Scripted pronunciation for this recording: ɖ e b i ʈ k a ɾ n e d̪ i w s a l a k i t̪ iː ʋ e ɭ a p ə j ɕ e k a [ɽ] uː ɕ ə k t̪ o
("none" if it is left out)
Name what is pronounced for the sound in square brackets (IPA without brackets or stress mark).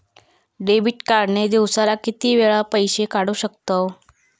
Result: ɽ